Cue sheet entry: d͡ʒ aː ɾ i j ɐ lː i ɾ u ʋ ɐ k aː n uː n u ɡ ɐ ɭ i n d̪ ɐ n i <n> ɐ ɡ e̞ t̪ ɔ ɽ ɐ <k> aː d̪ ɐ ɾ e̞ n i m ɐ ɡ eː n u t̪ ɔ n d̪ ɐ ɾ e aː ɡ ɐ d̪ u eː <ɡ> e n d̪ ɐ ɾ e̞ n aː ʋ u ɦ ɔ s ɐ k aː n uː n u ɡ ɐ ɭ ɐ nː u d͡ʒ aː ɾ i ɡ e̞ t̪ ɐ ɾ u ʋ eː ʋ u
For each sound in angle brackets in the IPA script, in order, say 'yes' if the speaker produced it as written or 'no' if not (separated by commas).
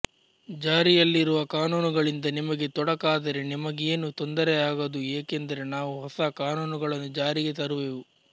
no, yes, no